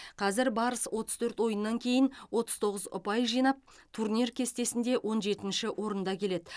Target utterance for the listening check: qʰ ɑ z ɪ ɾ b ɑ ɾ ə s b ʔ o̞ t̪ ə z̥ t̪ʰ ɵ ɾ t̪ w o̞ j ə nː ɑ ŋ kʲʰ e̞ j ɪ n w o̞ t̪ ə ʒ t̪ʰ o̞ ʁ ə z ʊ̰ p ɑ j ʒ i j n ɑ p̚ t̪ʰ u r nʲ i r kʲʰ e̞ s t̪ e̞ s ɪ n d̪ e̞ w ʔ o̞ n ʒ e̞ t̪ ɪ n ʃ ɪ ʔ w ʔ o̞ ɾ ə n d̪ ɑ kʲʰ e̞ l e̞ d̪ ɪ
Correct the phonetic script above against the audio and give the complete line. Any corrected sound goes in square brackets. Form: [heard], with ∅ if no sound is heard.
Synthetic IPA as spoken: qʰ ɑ z ɪ ɾ b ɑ ɾ ə s [w] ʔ o̞ t̪ ə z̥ t̪ʰ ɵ ɾ t̪ w o̞ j ə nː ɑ ŋ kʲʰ e̞ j ɪ n w o̞ t̪ ə [z] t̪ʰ o̞ ʁ ə z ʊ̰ p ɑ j ʒ i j n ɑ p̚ t̪ʰ u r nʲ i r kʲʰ e̞ s t̪ e̞ s ɪ n d̪ e̞ w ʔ o̞ n ʒ e̞ t̪ ɪ n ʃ ɪ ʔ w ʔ o̞ ɾ ə n d̪ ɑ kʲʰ e̞ l e̞ d̪ ɪ